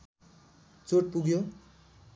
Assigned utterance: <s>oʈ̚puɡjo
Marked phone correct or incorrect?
incorrect